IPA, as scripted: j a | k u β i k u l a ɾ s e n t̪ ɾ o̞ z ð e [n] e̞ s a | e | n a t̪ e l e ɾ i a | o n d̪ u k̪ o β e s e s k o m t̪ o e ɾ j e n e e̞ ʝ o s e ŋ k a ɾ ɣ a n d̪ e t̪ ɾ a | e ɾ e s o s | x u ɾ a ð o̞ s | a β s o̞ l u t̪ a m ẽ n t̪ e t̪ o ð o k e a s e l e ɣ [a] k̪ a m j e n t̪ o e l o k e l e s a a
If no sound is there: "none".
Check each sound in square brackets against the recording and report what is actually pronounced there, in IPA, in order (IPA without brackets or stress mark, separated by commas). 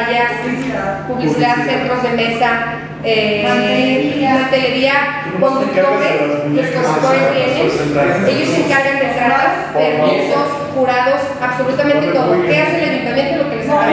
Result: m, i